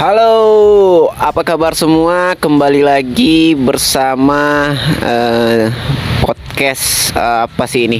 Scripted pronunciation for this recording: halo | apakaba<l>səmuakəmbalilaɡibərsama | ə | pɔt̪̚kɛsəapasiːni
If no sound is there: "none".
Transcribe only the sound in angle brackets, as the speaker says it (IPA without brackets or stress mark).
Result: r